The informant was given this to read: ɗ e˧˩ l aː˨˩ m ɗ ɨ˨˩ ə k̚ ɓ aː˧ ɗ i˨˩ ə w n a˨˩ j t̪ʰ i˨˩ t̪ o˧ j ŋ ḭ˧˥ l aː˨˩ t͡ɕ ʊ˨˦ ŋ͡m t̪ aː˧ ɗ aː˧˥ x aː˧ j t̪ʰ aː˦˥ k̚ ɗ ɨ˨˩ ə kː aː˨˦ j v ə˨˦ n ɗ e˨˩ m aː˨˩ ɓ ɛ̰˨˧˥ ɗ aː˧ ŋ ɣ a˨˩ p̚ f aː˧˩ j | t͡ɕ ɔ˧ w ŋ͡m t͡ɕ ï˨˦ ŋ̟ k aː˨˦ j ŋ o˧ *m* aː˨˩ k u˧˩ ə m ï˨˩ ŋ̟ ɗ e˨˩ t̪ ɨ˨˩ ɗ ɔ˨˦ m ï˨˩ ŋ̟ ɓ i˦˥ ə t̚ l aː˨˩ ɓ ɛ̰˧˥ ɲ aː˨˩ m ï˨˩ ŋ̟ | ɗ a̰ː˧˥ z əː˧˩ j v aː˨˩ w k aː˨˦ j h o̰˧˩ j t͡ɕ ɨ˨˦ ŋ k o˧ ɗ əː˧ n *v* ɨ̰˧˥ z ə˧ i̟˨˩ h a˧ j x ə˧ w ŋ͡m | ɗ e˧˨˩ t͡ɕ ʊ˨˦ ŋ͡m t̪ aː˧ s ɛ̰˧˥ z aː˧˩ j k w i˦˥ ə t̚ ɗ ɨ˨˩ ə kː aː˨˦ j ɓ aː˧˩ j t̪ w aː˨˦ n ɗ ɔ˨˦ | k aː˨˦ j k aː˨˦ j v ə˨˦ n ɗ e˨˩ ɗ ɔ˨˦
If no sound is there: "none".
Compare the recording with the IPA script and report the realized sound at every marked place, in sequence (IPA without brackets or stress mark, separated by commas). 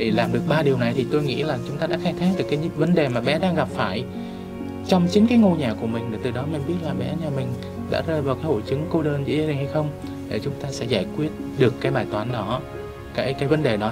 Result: ɲ, z